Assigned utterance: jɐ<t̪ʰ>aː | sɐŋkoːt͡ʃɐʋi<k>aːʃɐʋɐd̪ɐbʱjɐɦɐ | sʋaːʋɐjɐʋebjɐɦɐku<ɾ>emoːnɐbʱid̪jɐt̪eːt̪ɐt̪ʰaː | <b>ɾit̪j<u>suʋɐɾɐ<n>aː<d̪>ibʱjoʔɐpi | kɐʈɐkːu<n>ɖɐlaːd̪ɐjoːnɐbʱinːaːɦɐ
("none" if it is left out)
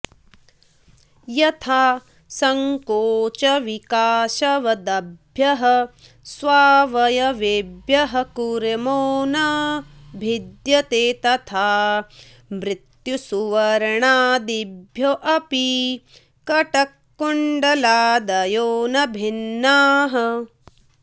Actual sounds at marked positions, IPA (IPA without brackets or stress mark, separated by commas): t̪ʰ, k, ɾ, m, u, ɳ, d̪, ɳ